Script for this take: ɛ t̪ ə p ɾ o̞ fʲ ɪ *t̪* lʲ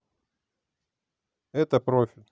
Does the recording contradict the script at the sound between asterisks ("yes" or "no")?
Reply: yes